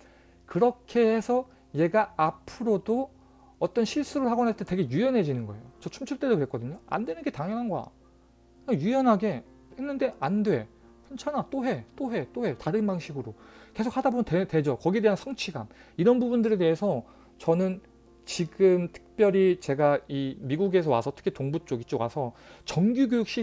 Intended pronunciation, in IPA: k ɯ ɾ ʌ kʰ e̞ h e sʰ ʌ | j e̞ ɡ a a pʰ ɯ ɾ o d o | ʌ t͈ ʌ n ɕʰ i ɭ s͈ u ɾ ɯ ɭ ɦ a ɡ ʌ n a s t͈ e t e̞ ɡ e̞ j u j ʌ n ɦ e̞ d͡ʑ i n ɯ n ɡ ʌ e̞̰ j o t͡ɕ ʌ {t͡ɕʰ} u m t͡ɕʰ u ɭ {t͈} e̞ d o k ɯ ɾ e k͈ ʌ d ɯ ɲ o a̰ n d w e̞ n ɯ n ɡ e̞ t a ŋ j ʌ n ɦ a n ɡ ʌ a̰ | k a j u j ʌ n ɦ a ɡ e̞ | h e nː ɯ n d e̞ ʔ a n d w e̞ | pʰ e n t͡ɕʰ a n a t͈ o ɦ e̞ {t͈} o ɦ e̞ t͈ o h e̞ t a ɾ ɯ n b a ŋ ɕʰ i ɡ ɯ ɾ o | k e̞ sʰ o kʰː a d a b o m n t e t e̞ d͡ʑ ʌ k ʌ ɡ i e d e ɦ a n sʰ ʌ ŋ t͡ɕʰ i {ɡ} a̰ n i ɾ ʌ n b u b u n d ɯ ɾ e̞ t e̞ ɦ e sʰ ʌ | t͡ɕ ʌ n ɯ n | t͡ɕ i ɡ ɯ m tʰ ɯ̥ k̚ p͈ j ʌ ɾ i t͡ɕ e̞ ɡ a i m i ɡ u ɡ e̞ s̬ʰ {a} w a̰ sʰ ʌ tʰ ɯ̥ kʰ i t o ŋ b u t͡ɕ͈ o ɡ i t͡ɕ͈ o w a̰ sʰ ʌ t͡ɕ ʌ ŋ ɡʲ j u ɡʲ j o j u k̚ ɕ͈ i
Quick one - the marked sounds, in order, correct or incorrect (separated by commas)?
correct, correct, correct, correct, incorrect